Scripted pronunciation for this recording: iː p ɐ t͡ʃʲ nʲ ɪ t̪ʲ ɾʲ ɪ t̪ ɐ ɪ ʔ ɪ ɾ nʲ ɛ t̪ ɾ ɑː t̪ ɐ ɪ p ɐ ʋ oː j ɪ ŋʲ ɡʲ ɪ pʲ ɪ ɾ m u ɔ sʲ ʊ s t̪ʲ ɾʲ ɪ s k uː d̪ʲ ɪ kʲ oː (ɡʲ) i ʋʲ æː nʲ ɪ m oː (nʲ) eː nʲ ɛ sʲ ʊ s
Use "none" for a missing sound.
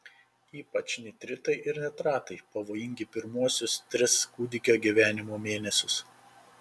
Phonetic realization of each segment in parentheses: ɡʲ, mʲ

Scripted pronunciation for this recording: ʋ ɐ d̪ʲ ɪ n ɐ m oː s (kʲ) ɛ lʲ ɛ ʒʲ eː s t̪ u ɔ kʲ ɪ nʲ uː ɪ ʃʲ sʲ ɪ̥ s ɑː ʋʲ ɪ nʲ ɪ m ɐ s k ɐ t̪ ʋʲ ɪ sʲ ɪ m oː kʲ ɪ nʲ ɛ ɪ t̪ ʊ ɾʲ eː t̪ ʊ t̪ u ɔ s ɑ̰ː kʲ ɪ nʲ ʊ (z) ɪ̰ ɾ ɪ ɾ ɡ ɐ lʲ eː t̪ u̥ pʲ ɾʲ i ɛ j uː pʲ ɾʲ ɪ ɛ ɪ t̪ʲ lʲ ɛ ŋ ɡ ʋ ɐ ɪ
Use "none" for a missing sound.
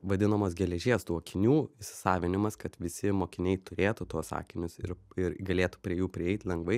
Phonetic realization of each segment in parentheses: ɡʲ, s

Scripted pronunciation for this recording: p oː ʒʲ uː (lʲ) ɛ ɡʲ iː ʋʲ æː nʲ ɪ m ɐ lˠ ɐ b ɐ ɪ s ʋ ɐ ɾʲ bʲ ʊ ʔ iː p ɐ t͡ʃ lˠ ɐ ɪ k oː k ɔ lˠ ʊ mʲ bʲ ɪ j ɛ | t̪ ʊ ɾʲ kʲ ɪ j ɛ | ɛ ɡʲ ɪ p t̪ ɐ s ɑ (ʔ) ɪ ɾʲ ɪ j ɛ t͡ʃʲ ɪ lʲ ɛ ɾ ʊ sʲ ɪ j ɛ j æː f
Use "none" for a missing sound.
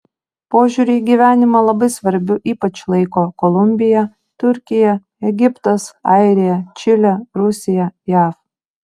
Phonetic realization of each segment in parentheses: ɾʲ, none

